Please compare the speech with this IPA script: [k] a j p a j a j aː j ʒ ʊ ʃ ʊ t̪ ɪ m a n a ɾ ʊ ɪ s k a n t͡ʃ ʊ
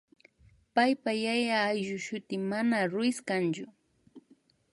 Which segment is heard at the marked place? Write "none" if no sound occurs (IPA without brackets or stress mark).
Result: p